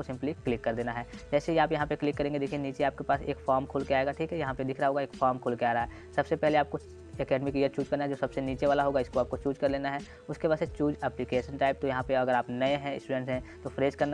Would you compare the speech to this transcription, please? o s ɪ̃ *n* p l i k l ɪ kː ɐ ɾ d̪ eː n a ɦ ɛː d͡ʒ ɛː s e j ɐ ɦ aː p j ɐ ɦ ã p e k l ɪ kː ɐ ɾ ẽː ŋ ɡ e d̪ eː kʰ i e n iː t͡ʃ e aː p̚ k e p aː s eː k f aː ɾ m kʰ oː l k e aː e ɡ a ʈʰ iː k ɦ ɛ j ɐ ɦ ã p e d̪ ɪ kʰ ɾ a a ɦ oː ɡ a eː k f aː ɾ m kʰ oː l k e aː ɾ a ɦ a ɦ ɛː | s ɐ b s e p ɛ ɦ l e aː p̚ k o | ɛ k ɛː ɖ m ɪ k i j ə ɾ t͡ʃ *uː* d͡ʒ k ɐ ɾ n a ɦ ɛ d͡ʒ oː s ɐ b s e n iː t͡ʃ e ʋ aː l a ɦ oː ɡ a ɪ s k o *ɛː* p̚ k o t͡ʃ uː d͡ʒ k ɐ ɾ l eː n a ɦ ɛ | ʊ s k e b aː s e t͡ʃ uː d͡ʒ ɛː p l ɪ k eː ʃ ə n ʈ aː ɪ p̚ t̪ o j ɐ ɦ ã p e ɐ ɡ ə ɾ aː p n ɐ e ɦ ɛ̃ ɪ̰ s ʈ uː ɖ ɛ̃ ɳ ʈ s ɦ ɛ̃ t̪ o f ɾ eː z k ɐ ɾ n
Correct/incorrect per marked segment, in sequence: incorrect: m, correct, incorrect: aː

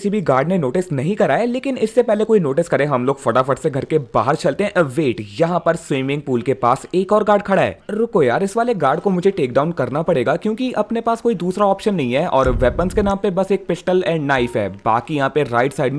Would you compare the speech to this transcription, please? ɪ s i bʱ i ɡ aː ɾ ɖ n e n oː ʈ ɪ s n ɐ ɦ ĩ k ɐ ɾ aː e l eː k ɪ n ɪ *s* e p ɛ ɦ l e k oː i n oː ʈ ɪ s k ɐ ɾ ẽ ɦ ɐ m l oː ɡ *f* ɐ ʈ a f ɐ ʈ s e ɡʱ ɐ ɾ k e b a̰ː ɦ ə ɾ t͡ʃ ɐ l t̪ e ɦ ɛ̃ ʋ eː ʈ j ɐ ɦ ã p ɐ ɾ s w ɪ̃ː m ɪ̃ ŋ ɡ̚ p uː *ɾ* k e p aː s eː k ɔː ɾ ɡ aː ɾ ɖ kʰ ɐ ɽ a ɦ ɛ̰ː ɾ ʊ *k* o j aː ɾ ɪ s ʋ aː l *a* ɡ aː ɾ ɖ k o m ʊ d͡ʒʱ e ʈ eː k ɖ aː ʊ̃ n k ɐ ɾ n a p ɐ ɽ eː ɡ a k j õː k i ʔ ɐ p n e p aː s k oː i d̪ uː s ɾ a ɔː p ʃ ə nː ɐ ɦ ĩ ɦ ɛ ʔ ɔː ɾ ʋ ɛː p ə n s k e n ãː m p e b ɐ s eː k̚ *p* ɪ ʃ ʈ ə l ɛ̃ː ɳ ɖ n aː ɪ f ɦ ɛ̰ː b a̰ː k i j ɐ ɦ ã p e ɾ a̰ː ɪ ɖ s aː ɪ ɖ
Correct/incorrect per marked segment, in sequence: incorrect: sː, correct, incorrect: l, correct, incorrect: e, correct

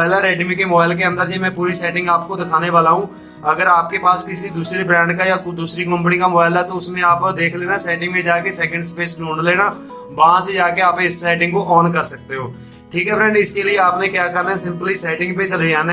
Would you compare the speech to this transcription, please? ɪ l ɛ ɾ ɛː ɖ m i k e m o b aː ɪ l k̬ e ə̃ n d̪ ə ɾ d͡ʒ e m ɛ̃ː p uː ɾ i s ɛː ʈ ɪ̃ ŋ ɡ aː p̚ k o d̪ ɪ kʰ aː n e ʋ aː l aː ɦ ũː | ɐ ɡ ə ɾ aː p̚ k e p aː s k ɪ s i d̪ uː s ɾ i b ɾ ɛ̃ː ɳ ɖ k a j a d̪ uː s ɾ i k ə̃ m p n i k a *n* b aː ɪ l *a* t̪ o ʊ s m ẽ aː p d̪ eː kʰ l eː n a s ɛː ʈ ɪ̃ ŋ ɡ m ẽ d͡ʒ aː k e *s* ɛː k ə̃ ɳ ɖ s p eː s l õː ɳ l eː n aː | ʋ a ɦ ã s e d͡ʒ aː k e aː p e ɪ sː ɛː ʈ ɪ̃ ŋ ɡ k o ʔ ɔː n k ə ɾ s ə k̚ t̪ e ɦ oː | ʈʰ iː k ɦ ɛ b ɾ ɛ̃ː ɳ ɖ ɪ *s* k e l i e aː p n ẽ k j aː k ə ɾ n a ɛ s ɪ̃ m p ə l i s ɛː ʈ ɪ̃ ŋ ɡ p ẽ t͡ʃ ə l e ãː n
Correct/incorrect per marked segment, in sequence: incorrect: m, incorrect: ɛ, correct, correct

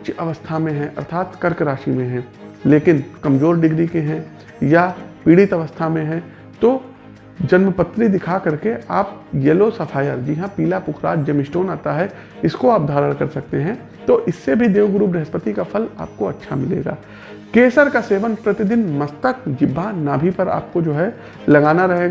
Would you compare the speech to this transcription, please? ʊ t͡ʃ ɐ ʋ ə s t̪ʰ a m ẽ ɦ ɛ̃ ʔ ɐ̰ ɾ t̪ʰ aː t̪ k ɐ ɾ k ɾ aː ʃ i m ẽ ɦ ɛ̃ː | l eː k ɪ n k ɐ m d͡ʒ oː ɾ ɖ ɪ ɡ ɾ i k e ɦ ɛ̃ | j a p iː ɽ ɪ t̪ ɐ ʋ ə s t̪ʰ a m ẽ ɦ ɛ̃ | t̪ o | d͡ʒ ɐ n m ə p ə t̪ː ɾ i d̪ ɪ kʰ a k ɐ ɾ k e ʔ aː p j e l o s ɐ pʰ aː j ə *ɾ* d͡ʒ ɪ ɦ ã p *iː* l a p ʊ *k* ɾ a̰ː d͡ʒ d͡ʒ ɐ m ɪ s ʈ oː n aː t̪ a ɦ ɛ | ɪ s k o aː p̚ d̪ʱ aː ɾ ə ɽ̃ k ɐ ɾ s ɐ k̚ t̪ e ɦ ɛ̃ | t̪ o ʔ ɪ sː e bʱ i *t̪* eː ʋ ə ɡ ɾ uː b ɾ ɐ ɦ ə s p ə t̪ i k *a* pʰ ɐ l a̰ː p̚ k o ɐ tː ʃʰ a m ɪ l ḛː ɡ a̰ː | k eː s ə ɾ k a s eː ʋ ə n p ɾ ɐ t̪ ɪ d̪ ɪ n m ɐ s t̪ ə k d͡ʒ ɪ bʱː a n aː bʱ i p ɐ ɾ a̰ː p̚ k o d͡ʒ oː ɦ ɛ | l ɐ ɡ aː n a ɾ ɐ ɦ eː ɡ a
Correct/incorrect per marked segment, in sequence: correct, correct, incorrect: kʰ, incorrect: d̪, correct

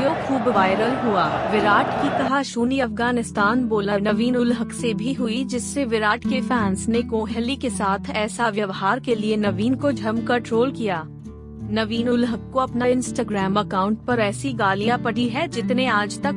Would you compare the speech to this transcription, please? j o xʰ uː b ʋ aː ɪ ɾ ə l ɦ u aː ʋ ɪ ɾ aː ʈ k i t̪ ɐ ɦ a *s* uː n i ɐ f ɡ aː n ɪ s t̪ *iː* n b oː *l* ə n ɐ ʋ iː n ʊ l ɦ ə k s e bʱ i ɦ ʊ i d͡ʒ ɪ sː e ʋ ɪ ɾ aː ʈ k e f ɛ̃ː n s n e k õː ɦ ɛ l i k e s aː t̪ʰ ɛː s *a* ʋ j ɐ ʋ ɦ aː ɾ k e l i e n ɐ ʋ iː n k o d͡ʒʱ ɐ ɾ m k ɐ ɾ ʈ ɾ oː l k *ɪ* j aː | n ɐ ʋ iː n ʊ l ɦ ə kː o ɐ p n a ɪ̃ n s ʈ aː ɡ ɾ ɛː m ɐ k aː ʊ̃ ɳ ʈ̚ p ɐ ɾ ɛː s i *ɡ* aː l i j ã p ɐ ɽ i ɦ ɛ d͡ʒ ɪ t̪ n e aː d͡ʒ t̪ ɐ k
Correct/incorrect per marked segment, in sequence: incorrect: ʃ, incorrect: aː, correct, correct, incorrect: i, correct

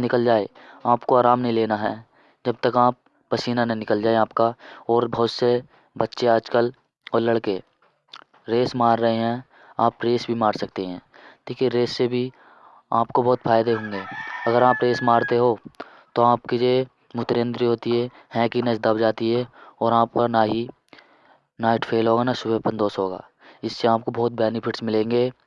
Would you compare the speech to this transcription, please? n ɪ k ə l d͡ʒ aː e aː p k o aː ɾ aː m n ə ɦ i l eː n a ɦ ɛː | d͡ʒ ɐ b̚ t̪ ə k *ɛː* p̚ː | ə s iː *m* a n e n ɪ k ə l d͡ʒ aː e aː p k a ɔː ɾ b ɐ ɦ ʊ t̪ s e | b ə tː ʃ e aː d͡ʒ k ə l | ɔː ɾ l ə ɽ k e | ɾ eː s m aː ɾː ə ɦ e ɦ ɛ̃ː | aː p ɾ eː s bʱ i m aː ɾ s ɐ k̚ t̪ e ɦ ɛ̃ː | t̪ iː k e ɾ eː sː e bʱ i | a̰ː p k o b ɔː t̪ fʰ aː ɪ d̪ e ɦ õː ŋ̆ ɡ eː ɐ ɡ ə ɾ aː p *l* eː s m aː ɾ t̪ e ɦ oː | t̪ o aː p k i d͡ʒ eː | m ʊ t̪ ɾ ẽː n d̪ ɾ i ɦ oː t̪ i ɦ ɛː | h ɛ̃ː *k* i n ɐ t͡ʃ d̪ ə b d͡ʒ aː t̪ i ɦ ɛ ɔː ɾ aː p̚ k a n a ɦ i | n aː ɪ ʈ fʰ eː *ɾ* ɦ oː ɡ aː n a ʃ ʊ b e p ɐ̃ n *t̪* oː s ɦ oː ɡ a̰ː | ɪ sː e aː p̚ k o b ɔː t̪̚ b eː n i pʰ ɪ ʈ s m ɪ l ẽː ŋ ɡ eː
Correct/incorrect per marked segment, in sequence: incorrect: aː, incorrect: n, incorrect: ɾ, correct, incorrect: l, incorrect: d̪

